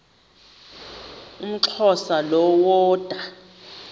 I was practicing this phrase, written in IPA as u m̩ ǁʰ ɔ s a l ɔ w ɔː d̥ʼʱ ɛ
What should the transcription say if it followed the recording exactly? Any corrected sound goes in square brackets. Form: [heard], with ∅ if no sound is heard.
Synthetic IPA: u m̩ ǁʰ ɔ s a l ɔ w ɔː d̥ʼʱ [a]